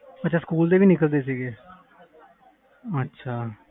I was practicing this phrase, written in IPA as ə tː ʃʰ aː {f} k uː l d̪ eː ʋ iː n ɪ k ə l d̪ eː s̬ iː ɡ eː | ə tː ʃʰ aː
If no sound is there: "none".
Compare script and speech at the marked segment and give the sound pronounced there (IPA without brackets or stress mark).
s